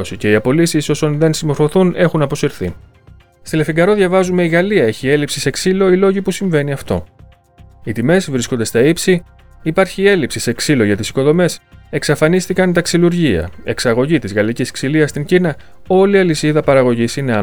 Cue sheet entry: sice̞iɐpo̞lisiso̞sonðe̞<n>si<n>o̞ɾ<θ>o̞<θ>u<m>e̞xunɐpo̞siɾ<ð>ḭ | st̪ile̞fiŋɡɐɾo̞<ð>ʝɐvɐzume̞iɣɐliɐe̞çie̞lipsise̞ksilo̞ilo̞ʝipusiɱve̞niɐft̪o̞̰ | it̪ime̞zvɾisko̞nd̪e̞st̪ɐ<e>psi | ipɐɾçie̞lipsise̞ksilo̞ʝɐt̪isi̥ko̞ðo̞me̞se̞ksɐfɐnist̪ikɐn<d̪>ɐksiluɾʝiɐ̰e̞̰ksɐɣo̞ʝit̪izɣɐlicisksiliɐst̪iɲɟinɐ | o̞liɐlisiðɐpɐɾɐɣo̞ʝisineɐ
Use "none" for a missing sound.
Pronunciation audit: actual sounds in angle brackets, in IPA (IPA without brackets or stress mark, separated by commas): n, m, f, θ, n, θ, ð, i, t̪